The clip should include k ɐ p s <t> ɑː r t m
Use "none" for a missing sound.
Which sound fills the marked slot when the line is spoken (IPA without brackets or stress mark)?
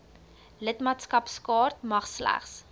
k